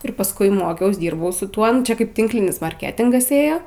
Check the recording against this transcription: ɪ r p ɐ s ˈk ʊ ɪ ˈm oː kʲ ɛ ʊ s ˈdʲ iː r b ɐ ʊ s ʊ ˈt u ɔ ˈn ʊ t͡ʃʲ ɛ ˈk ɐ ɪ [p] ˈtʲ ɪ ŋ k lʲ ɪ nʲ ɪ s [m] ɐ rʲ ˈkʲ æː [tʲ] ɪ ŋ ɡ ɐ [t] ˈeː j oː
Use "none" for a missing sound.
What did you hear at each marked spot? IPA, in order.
p, m, tʲ, s

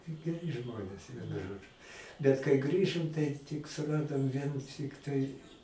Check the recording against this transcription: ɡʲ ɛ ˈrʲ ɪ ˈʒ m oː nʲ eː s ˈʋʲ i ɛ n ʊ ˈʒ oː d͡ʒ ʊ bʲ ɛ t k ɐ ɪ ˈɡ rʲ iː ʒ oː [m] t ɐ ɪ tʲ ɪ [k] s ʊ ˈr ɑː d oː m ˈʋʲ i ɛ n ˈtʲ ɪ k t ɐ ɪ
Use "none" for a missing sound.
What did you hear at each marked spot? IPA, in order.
m, k

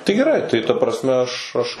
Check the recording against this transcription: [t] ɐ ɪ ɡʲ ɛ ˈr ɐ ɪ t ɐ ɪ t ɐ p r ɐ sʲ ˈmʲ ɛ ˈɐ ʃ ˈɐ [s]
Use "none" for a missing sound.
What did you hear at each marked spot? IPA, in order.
t, ʃ

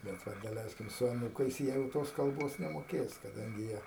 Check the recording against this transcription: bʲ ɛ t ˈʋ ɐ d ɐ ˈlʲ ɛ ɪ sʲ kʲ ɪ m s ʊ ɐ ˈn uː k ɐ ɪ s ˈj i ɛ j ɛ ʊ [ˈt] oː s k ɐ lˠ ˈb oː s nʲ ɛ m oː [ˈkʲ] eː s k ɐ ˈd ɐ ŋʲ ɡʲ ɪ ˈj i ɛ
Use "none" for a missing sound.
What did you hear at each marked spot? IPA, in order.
t, kʲ

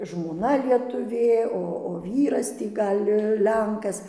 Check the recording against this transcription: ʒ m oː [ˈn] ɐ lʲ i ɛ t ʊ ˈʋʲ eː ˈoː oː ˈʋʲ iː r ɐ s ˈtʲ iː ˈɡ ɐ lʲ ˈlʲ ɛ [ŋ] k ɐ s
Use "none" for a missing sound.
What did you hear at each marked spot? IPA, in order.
n, ŋ

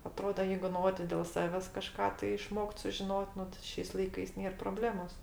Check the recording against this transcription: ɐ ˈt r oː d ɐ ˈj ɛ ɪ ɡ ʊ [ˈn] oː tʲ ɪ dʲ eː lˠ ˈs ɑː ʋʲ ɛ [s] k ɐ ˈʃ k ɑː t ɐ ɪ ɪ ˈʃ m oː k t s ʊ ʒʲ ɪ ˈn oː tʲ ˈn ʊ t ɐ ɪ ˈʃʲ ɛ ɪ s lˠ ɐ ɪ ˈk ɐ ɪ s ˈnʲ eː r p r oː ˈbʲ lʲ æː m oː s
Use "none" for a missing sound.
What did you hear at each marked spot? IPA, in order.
n, s

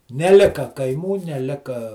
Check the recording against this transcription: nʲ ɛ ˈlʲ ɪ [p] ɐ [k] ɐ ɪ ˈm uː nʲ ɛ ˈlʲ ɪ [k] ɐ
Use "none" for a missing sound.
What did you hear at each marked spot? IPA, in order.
k, k, k

